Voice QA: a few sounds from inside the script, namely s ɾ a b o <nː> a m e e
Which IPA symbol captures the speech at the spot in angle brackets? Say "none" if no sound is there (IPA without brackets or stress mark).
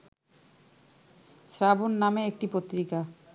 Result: nː